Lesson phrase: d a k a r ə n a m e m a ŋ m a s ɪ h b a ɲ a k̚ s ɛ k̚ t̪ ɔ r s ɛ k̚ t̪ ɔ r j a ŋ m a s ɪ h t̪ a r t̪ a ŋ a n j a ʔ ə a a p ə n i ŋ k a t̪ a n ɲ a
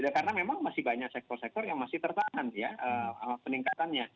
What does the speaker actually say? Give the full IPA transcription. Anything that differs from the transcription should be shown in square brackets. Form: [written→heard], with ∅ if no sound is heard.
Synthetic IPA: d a k a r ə n a m e m a ŋ m a s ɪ h b a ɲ a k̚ s ɛ k̚ t̪ ɔ r s ɛ k̚ t̪ ɔ r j a ŋ m a s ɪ h t̪ [a→ə] r t̪ a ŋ a n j a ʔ ə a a p ə n i ŋ k a t̪ a n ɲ a